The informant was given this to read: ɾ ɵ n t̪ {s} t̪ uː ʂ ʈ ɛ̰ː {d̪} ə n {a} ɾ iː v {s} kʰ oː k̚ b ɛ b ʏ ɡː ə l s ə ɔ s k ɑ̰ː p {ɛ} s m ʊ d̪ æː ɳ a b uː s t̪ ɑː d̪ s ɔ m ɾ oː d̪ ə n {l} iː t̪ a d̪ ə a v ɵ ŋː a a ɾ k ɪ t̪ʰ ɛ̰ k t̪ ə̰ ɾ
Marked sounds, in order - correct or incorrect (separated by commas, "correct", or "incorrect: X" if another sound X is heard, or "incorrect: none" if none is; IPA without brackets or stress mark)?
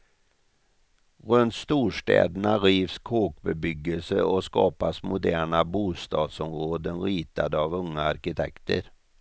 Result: correct, correct, correct, correct, incorrect: a, incorrect: ɾ